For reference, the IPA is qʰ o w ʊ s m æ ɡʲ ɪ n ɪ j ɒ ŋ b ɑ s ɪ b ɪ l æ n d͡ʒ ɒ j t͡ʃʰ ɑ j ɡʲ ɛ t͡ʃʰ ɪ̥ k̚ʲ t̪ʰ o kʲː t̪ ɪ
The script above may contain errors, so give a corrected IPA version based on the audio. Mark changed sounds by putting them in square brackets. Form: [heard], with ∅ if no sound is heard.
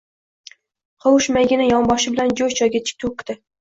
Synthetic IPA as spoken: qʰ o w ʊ [ʃ] m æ ɡʲ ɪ n ɪ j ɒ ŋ b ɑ [ʃ] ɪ b ɪ l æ n d͡ʒ [o] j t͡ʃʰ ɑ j ɡʲ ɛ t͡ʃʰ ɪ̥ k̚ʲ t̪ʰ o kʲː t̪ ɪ